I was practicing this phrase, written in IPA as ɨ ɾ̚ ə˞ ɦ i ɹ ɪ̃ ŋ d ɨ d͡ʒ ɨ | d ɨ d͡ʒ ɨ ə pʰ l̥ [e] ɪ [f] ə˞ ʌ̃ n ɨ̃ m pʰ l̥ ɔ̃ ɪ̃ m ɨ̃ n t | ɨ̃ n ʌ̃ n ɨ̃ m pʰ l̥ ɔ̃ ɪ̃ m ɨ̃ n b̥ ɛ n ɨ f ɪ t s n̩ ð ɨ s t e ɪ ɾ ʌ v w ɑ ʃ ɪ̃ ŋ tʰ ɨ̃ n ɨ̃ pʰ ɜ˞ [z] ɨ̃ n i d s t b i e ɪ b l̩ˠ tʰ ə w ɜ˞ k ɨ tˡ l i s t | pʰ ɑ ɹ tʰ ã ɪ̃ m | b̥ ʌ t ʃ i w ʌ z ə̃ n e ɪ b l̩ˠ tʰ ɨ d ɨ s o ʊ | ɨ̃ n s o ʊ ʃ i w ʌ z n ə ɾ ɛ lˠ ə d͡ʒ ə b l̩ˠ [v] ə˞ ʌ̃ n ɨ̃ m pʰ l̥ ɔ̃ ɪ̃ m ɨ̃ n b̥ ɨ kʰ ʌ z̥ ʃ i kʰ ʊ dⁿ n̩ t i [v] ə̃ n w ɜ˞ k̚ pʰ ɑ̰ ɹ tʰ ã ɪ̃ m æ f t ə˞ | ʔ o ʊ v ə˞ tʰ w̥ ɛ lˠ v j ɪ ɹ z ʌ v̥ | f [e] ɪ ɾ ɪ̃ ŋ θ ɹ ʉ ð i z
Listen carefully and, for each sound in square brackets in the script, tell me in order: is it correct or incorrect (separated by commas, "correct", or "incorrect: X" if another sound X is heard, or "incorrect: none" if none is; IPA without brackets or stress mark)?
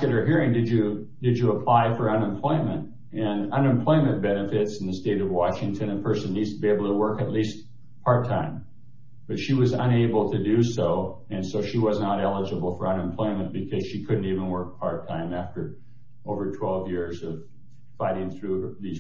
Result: incorrect: a, correct, incorrect: s, incorrect: f, correct, incorrect: a